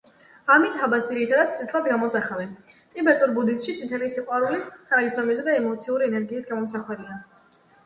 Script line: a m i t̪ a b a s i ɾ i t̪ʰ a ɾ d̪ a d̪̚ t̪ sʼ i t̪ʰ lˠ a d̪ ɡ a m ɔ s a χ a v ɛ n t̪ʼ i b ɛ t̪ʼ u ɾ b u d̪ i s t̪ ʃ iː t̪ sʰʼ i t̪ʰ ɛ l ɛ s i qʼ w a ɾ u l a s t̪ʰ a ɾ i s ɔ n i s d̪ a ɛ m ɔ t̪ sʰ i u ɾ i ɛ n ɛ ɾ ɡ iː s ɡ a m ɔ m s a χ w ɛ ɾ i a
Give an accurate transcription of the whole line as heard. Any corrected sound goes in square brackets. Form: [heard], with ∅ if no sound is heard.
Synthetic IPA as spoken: a m i t̪ a b a s i ɾ i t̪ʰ a [∅] d̪ a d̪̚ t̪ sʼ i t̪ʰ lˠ a d̪ ɡ a m ɔ s a χ a v ɛ n t̪ʼ i b ɛ t̪ʼ u ɾ b u d̪ i s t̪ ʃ [i] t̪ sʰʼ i t̪ʰ ɛ l [i] s i qʼ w a ɾ u l [i] s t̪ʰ a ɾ i s ɔ [m] i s d̪ a ɛ m ɔ t̪ sʰ i u ɾ i ɛ n ɛ ɾ ɡ iː s ɡ a m ɔ m s a χ w ɛ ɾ i a